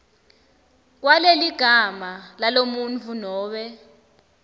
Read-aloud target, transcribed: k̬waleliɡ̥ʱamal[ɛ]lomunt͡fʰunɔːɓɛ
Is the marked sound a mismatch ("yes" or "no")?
yes